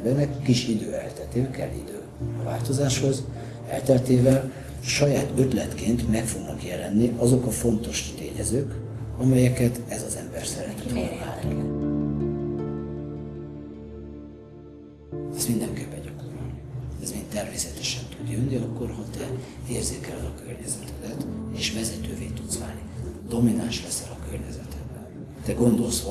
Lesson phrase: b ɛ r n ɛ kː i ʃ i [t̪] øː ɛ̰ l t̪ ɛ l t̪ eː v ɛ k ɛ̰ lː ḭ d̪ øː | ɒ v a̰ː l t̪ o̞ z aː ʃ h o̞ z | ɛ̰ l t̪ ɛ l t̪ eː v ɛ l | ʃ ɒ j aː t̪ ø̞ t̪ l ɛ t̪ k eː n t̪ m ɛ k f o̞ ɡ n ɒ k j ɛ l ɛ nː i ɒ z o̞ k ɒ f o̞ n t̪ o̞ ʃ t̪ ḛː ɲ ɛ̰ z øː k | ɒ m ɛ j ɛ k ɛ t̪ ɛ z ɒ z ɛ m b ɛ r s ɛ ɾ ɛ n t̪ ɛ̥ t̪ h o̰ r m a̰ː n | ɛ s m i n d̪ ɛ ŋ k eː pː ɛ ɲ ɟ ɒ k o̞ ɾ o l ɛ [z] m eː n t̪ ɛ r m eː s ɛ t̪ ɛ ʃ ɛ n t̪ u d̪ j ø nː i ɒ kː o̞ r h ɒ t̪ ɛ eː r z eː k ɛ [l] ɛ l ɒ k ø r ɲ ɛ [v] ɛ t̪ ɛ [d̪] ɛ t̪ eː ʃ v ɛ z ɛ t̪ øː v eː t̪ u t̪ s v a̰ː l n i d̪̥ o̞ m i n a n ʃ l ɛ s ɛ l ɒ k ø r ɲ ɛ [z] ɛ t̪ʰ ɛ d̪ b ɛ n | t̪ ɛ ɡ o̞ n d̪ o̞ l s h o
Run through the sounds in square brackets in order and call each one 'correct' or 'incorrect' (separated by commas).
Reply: incorrect, correct, correct, incorrect, correct, correct